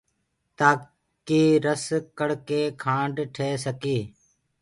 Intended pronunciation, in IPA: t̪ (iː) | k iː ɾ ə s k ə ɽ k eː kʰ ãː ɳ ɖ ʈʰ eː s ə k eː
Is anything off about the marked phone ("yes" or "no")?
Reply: yes